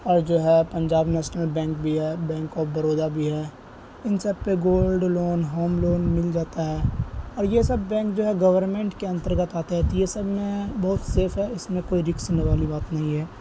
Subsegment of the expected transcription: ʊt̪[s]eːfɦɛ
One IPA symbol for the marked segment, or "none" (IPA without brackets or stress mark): s